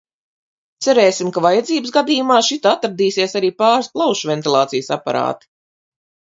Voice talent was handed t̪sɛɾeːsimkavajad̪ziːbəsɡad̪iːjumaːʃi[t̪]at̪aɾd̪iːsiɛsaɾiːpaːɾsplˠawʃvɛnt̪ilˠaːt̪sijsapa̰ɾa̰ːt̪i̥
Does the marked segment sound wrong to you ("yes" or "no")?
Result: no